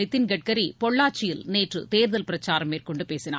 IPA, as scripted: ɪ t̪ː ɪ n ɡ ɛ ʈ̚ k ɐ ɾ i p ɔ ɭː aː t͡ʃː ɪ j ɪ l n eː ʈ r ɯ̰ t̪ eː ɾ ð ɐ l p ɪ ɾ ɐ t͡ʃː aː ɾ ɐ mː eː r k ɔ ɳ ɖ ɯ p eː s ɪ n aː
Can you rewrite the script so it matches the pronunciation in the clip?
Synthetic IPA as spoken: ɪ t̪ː ɪ n ɡ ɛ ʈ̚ k ɐ ɾ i p ɔ ɭː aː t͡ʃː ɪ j ɪ l n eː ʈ r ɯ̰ t̪ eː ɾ ð ɐ l p ɪ ɾ ɐ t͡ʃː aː ɾ ɐ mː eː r k ɔ ɳ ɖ ɯ p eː s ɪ n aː